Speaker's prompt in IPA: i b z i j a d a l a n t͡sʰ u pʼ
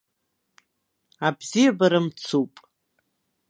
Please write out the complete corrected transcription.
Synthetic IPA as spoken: a b z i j a b a ɾ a m t͡sʰ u pʼ